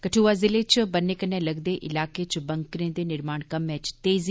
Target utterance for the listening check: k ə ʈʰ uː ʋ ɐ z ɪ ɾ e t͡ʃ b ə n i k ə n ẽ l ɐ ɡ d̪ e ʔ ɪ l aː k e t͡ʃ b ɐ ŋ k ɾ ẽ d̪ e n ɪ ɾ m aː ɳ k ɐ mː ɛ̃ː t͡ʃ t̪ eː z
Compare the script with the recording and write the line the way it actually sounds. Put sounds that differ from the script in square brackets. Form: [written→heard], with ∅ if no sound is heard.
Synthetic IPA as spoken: k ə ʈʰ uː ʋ [ɐ→a] z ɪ [ɾ→l] e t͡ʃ b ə n [i→e] k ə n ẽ l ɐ ɡ d̪ e ʔ ɪ l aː k e t͡ʃ b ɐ ŋ k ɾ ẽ d̪ e n ɪ ɾ m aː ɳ k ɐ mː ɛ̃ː t͡ʃ t̪ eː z

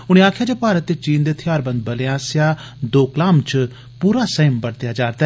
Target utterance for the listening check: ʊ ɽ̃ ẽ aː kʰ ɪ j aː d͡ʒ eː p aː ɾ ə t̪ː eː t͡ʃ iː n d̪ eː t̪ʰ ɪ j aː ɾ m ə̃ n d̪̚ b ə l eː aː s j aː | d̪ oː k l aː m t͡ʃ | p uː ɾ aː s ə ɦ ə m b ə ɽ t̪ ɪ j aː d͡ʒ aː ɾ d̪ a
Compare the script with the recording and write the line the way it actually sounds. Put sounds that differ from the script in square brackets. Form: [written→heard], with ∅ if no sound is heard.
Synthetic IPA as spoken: ʊ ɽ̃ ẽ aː kʰ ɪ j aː d͡ʒ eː p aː ɾ ə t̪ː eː t͡ʃ iː n d̪ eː t̪ʰ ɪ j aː ɾ [m→b] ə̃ n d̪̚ b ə l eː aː s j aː | d̪ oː k l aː m t͡ʃ | p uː ɾ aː s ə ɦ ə m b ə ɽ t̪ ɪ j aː d͡ʒ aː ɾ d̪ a

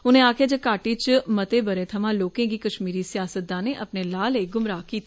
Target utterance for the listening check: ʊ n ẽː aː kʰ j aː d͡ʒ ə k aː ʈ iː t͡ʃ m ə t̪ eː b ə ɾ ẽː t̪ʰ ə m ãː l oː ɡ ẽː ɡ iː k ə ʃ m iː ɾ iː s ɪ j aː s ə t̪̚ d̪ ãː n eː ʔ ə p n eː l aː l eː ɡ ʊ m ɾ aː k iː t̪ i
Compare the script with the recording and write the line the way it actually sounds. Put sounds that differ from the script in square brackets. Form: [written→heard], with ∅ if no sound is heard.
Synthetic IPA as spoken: ʊ n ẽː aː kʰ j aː d͡ʒ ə k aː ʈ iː t͡ʃ m ə t̪ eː b ə ɾ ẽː t̪ʰ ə m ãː l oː [ɡ→k] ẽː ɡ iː k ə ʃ m iː ɾ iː s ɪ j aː s ə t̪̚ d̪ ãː n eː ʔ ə p n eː l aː l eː ɡ ʊ m ɾ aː k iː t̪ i

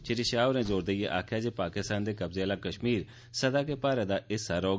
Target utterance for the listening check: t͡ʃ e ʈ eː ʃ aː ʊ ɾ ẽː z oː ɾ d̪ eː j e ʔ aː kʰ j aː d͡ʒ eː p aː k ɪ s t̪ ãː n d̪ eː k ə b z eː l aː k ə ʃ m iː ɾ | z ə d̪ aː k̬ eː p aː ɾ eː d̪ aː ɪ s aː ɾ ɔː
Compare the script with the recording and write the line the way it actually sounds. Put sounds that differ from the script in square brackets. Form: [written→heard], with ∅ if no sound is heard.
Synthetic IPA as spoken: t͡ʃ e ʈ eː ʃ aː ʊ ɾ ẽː z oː ɾ d̪ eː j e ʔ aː kʰ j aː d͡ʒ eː p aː k ɪ s t̪ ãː n d̪ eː k ə b z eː l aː k ə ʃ m iː ɾ | [z→s] ə d̪ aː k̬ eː p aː ɾ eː d̪ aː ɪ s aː ɾ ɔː

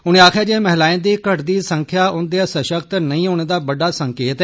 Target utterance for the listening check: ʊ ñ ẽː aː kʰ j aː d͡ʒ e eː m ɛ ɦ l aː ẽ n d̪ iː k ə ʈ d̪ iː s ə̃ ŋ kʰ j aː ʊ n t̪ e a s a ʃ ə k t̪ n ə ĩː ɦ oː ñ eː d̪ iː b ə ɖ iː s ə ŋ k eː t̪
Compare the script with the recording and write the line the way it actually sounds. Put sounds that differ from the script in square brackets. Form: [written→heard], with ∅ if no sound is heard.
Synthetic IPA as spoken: ʊ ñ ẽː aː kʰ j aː d͡ʒ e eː m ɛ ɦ l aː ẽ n d̪ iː k ə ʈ d̪ iː s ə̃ ŋ kʰ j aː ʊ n [t̪→d̪] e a s [a→ə] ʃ ə k t̪ n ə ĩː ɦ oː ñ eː d̪ [iː→aː] b ə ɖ [iː→aː] s ə ŋ k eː t̪

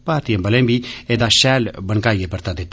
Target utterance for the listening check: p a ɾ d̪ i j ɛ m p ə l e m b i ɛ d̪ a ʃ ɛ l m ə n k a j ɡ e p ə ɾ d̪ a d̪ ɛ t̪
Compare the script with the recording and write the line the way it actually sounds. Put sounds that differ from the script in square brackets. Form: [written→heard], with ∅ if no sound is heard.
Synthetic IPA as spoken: p a ɾ [d̪→t̪] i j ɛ m [p→b] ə l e m b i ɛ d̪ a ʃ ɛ l [m→b] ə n k a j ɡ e p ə ɾ [d̪→t̪] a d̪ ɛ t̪

